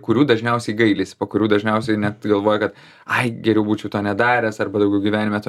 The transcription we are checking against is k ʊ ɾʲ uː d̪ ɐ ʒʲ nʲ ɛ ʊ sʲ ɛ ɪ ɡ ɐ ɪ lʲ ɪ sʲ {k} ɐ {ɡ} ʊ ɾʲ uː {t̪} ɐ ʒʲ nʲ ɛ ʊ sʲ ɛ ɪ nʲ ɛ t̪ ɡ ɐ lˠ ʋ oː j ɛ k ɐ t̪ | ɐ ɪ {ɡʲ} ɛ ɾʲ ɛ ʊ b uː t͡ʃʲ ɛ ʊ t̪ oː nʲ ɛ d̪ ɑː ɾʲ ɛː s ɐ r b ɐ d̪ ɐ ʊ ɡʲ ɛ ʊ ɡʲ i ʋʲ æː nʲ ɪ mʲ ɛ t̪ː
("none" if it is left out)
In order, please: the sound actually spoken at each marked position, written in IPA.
p, k, d̪, ɡʲ

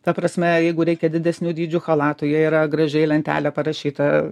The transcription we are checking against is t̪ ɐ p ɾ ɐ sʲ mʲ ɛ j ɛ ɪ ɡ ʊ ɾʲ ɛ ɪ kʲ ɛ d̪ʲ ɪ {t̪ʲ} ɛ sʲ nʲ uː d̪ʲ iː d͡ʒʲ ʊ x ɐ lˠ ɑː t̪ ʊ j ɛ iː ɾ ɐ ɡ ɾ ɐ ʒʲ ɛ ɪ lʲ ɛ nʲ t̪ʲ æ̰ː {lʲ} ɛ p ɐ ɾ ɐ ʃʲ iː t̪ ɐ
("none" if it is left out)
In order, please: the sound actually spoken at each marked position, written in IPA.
d̪ʲ, lʲ

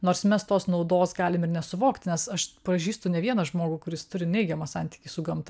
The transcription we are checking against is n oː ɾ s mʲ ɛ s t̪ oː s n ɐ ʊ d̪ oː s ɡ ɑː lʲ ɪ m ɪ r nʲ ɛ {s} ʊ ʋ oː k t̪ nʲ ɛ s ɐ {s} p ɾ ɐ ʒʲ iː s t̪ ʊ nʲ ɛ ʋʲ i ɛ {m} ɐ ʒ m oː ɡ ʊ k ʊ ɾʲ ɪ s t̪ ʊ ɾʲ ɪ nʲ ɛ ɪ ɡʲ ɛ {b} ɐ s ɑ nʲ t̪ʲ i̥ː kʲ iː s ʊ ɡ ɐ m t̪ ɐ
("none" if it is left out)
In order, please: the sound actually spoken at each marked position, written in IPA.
s, ʃ, n, m

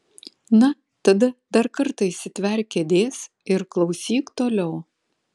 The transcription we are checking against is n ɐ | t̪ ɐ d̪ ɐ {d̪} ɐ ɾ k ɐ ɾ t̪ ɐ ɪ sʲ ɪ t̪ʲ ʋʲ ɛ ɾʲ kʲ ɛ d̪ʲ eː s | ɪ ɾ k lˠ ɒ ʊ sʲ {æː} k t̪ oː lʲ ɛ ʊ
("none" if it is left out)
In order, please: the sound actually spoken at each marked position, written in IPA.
d̪, iː

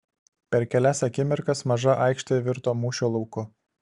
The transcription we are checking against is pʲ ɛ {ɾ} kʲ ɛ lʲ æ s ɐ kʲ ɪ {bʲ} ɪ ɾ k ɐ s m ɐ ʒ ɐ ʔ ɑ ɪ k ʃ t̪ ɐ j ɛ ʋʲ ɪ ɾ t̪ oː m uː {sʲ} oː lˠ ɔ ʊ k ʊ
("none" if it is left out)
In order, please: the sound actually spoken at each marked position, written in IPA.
ɾ, mʲ, ʃʲ

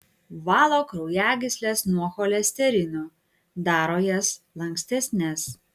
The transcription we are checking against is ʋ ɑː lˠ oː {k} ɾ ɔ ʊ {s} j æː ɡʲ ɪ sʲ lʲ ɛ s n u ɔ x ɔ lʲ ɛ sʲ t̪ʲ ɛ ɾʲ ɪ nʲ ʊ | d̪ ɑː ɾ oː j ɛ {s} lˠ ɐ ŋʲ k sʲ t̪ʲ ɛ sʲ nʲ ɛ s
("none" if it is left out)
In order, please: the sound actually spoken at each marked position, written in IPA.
k, none, s

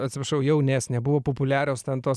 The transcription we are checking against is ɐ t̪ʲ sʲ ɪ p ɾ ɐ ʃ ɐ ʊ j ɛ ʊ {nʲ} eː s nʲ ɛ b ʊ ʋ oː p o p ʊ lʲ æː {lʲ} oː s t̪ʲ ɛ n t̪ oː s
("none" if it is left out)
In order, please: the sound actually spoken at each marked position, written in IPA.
nʲ, ɾʲ

